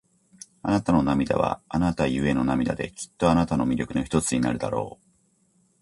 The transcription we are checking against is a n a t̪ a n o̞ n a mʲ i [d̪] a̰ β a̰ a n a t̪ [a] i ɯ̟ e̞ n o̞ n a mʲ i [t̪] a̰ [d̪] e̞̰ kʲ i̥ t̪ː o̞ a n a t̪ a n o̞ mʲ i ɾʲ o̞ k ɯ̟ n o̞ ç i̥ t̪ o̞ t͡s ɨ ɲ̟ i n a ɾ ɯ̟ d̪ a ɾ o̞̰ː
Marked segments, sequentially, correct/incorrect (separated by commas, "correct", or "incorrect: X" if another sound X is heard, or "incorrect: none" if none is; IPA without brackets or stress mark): correct, correct, incorrect: d̪, correct